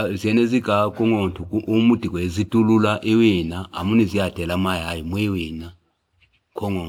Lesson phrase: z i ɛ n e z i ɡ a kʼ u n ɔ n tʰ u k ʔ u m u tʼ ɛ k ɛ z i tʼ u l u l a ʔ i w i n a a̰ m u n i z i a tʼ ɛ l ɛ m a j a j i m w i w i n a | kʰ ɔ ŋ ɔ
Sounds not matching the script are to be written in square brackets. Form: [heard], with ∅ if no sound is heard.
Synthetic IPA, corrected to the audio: z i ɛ n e z i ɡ a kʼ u [ŋ] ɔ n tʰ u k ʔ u m u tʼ [i] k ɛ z i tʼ u l u l a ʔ i w i n a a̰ m u n i z i a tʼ ɛ l [a] m a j a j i m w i w i n a | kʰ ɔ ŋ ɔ